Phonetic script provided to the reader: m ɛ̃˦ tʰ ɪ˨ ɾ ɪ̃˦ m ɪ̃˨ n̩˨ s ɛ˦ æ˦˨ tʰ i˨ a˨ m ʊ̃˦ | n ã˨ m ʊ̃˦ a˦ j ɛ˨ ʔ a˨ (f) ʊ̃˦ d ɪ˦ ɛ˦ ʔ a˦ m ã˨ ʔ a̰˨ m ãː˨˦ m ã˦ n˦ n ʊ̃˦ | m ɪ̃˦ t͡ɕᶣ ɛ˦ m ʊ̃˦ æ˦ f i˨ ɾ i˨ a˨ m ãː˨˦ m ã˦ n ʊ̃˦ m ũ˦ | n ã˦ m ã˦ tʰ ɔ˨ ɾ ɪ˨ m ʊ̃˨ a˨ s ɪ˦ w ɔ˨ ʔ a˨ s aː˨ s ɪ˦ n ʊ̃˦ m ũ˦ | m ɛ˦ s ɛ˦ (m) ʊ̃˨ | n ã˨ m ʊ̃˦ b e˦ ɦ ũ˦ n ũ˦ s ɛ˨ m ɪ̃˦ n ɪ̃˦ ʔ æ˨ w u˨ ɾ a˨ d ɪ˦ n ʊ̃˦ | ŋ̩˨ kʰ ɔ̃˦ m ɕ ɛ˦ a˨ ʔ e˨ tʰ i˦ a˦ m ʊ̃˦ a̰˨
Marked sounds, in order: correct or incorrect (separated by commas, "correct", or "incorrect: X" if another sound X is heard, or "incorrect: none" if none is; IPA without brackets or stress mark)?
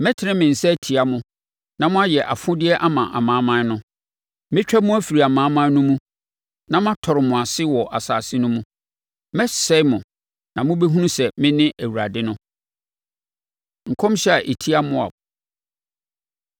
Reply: correct, correct